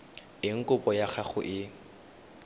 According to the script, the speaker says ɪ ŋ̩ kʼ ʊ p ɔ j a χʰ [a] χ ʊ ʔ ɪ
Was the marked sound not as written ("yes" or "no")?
no